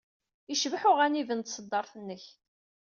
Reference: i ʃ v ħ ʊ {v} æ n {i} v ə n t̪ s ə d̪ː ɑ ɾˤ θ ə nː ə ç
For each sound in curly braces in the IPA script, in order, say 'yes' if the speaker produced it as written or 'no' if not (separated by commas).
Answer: no, yes